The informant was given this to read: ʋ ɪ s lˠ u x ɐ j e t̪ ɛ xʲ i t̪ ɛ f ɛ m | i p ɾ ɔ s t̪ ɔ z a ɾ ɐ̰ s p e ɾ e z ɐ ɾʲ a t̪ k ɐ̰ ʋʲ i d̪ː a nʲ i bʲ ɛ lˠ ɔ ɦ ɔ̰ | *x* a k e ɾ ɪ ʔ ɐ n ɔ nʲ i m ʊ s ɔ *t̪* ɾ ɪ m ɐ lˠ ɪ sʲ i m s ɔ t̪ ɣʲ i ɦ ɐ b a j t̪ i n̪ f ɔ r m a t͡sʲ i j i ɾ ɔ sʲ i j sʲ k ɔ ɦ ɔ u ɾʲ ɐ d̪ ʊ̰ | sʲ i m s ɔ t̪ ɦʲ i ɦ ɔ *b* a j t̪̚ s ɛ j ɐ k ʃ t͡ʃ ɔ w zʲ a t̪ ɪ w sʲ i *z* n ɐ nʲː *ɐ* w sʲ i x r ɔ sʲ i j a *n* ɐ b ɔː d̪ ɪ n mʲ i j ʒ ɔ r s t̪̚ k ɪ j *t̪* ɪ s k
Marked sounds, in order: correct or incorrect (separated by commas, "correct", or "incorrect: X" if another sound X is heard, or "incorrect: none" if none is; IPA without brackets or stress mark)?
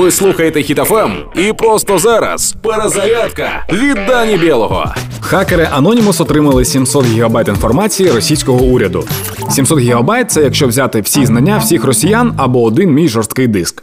correct, correct, correct, correct, incorrect: a, correct, incorrect: d̪